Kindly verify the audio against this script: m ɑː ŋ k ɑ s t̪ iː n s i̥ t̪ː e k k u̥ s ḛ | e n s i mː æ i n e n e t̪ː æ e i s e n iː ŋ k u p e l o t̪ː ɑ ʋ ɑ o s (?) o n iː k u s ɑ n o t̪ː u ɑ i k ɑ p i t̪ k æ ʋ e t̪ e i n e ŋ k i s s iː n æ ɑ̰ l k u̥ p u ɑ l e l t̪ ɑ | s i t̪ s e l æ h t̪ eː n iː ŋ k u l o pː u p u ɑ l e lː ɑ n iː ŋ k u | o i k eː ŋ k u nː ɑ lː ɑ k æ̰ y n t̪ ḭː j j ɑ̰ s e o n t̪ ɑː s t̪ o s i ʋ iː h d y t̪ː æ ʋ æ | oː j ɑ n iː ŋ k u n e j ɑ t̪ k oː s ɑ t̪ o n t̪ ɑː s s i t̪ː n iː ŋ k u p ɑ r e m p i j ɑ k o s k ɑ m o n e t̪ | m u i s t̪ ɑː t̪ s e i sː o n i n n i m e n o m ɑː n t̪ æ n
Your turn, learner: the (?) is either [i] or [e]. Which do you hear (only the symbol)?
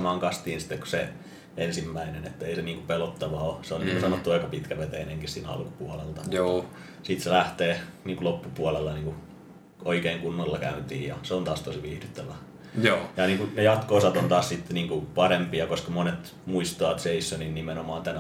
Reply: e